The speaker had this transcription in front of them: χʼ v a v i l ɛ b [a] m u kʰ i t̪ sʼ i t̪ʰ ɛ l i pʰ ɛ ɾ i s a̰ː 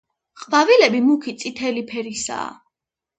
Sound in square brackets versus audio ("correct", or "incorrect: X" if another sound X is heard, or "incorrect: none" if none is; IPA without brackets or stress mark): incorrect: i